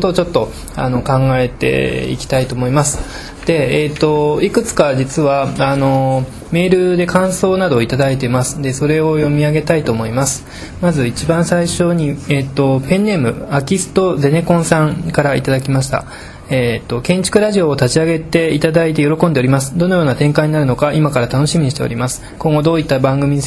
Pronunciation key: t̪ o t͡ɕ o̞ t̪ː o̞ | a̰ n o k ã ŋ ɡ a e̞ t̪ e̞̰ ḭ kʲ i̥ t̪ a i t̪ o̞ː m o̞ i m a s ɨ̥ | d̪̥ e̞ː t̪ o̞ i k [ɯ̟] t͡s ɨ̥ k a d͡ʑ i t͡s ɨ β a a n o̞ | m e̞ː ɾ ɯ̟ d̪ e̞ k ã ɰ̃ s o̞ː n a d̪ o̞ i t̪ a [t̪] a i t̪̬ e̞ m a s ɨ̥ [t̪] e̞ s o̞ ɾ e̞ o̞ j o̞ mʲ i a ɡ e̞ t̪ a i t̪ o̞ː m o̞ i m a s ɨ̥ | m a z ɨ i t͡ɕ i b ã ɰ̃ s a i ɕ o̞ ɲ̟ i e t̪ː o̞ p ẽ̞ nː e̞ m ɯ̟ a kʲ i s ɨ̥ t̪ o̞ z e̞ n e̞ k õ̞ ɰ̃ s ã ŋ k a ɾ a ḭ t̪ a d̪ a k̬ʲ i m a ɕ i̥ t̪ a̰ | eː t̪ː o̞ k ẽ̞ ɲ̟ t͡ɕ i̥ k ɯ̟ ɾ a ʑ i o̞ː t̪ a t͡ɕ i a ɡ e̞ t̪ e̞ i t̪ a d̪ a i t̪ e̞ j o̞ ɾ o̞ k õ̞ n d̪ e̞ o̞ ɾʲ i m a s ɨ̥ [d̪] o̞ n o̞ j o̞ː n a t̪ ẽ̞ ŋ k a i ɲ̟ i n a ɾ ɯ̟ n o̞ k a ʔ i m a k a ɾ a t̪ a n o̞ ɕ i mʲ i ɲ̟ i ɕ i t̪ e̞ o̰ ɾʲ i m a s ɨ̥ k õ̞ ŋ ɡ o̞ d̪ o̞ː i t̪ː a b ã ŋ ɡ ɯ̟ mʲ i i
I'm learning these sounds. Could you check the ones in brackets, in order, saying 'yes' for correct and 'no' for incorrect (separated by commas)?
yes, no, no, yes